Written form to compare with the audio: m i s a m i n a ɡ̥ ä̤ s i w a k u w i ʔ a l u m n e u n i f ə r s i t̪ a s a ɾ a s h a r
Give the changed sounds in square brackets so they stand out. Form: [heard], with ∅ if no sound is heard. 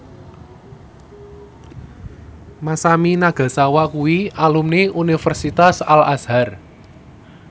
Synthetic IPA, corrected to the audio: m [a] s a m i n a ɡ̥ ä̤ s [a] w a k u w i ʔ a l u m n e u n i f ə r s i t̪ a s a [l] a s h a r